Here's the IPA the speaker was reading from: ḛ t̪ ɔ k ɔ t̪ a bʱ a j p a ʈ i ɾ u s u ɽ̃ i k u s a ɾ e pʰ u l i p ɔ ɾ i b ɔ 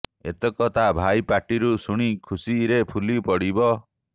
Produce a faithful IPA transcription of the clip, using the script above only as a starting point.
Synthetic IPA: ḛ t̪ ɔ k ɔ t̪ a bʱ a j p a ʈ i ɾ u s u ɽ̃ i kʰ u s i ɾ e pʰ u l i p ɔ ɽ i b ɔ